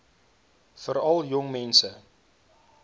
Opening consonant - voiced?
no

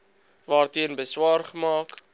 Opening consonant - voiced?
yes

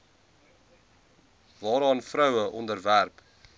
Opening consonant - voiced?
yes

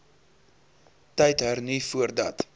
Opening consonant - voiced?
no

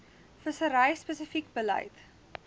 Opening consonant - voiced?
no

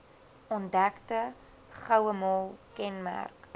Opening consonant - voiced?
yes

